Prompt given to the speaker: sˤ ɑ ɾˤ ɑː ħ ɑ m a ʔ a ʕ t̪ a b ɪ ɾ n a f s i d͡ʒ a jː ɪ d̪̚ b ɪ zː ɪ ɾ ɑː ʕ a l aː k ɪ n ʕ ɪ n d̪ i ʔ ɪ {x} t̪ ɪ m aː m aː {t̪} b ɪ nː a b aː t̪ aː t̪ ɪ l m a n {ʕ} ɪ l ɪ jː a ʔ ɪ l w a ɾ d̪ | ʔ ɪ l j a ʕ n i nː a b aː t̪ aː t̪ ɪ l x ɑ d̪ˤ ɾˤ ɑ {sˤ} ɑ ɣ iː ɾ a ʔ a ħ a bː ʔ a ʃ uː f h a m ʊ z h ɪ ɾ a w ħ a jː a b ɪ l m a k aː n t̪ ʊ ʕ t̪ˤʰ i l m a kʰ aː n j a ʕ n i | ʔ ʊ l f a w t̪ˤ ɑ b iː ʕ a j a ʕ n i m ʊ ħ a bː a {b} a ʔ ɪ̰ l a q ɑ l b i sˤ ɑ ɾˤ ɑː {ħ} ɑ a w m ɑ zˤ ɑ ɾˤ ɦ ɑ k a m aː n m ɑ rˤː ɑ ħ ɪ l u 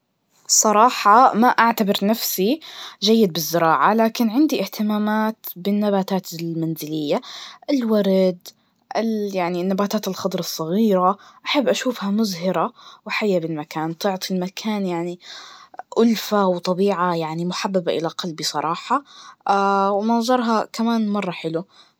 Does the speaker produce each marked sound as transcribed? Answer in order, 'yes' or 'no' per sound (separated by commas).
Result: no, yes, no, no, yes, yes